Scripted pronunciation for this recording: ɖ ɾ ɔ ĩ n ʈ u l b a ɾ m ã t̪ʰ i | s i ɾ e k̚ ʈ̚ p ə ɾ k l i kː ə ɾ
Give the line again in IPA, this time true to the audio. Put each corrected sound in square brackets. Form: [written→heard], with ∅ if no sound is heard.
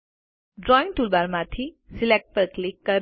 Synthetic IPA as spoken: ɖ ɾ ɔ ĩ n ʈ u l b a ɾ m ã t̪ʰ i | s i [ɾ→l] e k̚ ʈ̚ p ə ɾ k l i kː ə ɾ